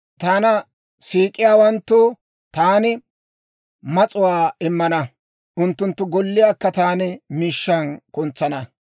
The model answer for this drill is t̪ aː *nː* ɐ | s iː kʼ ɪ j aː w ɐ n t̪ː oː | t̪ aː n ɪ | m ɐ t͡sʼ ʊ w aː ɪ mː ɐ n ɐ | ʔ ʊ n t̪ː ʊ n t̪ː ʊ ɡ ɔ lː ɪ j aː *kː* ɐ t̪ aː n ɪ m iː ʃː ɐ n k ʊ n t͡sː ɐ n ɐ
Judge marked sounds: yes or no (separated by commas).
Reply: no, yes